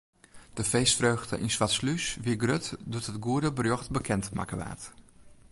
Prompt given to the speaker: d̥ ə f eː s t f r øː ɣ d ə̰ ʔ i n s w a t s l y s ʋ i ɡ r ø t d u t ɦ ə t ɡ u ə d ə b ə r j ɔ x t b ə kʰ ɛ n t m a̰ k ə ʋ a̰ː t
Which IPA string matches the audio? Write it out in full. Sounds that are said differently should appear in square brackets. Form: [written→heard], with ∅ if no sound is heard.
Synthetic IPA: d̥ ə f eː s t f r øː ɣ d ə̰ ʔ i n s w a t s l y s ʋ i ɡ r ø t d u t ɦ ə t ɡ u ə d ə b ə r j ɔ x t b ə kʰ ɛ n t m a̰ k ə ʋ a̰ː t

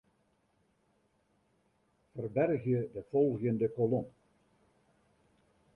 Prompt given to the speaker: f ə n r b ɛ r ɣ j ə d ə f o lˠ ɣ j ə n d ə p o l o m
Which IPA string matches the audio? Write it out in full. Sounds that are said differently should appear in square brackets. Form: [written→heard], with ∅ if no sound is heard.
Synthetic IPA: f ə [n→∅] r b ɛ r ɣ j ə d ə f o lˠ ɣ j ə n d ə [p→k] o l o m

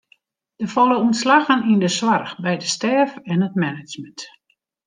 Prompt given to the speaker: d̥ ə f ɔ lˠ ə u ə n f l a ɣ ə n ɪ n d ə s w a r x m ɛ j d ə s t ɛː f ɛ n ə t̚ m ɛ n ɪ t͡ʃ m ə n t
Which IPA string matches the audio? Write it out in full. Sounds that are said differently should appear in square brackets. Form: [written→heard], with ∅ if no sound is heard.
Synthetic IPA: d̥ ə f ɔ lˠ ə u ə n [f→s] l a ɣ ə n [ɪ→i] n d ə s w a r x [m→b] ɛ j d ə s t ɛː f ɛ n ə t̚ m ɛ n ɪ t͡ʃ m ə n t

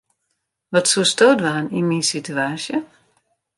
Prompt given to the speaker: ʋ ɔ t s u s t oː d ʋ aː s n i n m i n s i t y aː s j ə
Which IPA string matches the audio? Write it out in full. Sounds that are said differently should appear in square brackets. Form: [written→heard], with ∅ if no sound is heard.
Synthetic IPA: ʋ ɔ t s u s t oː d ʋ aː [s→∅] n i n m i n s i t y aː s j ə

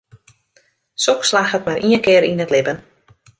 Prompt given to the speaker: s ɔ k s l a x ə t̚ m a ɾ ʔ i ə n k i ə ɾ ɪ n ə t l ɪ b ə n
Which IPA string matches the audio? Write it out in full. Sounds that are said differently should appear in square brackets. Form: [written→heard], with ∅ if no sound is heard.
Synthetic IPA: s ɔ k s l a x ə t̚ m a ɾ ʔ i ə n k [i→ɪ] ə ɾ [ɪ→i] n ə t l ɪ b ə n

